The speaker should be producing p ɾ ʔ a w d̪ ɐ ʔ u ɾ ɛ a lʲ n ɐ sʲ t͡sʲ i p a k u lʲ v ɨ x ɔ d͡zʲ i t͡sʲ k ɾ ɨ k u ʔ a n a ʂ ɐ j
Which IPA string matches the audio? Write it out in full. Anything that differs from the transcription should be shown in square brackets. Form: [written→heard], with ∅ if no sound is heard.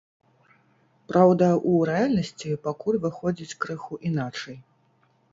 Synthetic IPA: p ɾ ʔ a w d̪ ɐ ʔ u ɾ ɛ a lʲ n ɐ sʲ t͡sʲ i p a k u lʲ v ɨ x ɔ d͡zʲ i t͡sʲ k ɾ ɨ [k→x] u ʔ [a→i] n a [ʂ→t͡ʂ] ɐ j